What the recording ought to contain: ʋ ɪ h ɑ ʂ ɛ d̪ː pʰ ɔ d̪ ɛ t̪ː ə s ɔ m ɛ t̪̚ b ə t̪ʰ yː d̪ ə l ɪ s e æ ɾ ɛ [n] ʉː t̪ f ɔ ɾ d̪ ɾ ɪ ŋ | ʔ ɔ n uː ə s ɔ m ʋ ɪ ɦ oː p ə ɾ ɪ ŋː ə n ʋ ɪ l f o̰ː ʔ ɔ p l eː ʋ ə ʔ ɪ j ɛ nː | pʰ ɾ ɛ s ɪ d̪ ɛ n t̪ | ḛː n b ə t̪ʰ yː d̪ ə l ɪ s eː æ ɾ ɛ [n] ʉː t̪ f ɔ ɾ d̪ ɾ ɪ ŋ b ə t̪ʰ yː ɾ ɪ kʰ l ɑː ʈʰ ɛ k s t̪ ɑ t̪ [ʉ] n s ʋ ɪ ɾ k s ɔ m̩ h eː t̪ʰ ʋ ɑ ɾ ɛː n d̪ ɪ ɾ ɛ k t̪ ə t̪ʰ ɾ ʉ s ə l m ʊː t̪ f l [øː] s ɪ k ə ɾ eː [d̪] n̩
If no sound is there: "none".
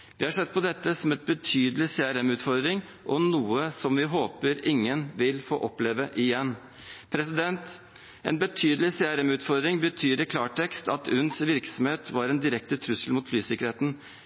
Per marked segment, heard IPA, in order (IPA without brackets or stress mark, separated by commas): m, m, ʉ, yː, t̪